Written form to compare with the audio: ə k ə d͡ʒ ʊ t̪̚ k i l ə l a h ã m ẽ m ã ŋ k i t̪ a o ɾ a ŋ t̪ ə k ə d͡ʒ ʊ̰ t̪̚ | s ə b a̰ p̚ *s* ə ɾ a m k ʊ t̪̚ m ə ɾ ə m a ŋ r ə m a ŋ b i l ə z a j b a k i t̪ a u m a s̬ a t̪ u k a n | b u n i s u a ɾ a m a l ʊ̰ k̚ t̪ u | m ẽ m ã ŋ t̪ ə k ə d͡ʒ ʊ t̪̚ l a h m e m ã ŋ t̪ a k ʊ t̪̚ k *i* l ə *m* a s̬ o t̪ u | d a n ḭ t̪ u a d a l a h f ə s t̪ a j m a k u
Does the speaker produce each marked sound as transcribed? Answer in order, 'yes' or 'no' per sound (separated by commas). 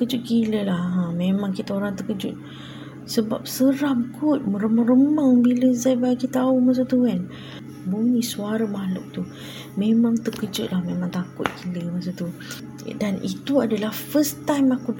yes, yes, yes